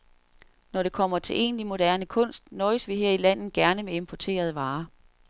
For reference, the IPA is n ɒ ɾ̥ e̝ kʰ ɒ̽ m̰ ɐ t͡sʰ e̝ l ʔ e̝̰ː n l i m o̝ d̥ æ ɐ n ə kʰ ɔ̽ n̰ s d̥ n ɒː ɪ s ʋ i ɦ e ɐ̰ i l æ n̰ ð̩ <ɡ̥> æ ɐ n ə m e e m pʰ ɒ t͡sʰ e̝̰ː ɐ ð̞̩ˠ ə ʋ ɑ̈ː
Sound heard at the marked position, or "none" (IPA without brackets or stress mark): ɡ̥